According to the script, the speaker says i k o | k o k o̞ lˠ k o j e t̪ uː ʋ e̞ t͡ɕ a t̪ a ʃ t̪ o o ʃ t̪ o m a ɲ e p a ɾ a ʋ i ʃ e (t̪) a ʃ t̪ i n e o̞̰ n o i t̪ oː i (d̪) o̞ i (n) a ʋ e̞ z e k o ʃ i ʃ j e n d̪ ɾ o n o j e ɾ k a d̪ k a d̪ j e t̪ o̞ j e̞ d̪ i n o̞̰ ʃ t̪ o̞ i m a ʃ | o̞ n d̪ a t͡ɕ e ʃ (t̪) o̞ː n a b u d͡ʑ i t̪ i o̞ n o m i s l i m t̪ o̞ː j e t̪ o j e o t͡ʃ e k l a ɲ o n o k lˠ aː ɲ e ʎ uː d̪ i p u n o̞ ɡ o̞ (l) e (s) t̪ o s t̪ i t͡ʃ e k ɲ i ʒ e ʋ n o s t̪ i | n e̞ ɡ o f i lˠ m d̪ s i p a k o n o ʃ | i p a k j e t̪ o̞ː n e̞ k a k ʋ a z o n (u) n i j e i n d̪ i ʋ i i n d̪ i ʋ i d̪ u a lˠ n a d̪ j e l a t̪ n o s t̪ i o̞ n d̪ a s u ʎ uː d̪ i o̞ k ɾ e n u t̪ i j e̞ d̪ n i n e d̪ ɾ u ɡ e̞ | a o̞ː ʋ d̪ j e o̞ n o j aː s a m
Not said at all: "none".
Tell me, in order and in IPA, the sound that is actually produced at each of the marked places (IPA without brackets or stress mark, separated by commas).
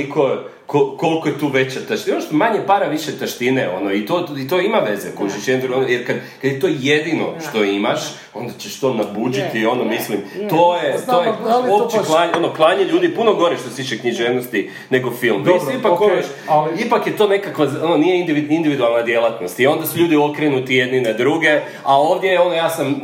t̪, t̪, m, t̪, ɾ, ʃ, o